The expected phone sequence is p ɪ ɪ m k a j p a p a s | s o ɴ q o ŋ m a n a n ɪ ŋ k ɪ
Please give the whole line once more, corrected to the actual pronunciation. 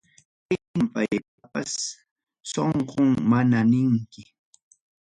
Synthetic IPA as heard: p ɪ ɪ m p a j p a p a s | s o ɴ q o ŋ m a n a n ɪ ŋ k ɪ